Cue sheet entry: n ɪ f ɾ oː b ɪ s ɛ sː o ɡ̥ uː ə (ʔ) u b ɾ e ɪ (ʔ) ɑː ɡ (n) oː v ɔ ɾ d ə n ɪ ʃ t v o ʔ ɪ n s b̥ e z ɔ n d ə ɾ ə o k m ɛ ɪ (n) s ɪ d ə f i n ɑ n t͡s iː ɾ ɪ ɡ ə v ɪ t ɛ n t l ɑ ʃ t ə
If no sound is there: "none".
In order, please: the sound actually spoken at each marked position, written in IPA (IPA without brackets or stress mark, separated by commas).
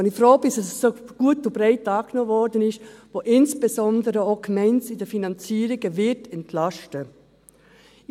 t, t, n, n